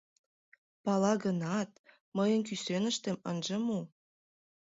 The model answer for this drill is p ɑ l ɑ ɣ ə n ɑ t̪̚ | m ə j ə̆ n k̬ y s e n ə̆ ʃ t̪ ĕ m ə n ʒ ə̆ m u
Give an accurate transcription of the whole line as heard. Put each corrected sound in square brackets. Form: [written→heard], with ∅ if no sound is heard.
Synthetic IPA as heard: p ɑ l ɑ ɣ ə n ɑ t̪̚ | m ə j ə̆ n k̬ y s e n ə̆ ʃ t̪ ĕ m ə n ʒ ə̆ m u